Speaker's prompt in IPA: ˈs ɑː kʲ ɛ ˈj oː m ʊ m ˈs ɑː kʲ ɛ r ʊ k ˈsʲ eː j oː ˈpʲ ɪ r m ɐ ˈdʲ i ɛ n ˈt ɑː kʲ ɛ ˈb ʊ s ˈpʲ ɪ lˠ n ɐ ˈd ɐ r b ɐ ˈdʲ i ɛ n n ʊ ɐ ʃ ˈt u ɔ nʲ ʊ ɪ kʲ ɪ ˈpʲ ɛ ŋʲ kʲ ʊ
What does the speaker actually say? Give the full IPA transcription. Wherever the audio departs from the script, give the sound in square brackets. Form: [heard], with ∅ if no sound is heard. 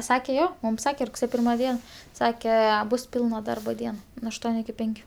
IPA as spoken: ˈs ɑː kʲ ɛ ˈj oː m ʊ m ˈs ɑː kʲ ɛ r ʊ k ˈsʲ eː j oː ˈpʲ ɪ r m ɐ ˈdʲ i ɛ n [ˈs] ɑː kʲ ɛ ˈb ʊ s ˈpʲ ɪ lˠ n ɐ ˈd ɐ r b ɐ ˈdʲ i ɛ n n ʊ ɐ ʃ ˈt u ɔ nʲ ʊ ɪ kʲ ɪ ˈpʲ ɛ ŋʲ kʲ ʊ